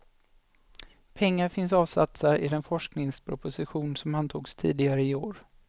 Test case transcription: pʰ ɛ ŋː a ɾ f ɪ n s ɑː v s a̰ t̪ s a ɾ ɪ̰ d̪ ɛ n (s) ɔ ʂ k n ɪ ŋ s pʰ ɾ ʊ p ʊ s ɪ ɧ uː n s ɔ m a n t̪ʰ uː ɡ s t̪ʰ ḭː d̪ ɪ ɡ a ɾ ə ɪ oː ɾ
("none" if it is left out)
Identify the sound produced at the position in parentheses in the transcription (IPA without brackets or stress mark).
f